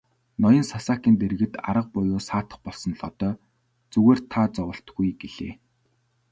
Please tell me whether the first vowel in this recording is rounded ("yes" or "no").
yes